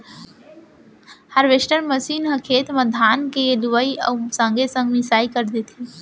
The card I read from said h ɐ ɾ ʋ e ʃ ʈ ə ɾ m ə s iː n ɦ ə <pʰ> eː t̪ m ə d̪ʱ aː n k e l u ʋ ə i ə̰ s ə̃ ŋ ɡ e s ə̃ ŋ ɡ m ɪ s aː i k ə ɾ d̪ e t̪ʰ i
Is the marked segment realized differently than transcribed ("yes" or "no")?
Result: yes